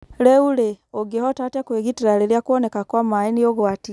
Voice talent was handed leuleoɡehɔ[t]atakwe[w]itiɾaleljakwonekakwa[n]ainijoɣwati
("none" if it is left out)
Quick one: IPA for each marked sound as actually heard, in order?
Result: t, ɣ, m

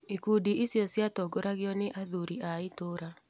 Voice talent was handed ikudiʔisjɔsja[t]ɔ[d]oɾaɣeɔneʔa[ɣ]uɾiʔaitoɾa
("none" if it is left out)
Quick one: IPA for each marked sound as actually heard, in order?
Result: t, ɡ, ð

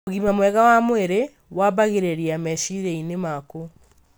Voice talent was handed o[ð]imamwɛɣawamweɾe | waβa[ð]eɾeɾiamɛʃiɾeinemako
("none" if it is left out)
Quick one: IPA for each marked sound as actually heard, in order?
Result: ɣ, ɣ

